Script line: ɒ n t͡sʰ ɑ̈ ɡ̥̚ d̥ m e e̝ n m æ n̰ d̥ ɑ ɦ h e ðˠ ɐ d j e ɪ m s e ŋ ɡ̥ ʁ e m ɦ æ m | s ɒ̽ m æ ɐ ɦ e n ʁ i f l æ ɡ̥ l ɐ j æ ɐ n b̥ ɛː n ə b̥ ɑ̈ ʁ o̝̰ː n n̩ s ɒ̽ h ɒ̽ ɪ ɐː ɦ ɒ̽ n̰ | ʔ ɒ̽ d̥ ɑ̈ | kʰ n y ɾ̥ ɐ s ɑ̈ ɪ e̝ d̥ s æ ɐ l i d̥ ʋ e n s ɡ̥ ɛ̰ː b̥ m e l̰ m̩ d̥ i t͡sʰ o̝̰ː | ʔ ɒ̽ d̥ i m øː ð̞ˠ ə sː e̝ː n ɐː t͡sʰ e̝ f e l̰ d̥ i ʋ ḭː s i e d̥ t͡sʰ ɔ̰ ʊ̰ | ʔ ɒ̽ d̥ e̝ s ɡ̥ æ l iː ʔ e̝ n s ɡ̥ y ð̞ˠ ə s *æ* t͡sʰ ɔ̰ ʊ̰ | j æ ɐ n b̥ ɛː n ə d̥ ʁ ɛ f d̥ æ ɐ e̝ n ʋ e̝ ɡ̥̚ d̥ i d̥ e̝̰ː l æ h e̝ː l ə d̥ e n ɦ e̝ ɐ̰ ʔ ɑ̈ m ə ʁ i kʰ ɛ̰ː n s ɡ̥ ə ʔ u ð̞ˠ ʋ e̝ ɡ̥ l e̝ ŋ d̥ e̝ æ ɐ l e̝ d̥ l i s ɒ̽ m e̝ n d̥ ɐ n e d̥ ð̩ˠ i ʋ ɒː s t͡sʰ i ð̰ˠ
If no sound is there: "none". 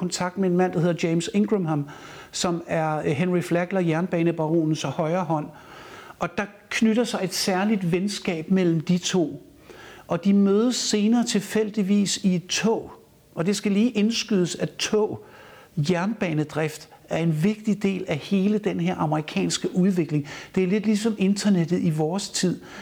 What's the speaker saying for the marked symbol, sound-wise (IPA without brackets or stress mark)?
æ